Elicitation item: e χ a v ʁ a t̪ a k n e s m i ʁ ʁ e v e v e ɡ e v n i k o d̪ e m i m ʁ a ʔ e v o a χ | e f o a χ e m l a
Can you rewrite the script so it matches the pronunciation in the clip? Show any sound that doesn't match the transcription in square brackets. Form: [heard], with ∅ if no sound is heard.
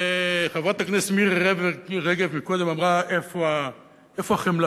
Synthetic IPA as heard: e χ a v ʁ a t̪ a k n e s m i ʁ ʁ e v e [ʁ] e ɡ e v [m] i k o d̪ e m [a] m ʁ a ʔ e [f] o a [∅] | e f o a χ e m l a